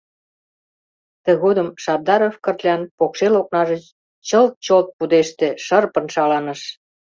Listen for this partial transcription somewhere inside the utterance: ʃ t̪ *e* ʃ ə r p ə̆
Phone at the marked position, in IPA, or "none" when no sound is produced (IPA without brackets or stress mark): e